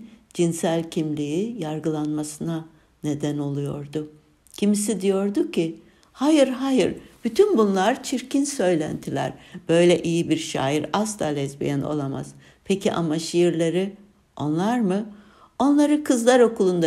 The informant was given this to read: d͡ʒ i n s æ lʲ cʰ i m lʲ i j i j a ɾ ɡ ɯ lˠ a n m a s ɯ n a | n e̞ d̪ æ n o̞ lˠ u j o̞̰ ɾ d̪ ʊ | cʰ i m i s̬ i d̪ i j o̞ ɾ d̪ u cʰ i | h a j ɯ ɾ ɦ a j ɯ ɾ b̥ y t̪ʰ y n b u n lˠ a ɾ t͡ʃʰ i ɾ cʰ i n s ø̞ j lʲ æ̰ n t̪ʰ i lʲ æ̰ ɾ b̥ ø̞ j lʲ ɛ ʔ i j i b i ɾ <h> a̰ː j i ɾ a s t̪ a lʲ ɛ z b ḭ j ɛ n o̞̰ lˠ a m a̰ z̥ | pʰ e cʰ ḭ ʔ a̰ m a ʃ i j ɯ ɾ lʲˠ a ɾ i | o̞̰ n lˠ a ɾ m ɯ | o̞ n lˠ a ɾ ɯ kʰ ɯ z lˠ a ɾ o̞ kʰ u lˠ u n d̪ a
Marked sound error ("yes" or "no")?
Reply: yes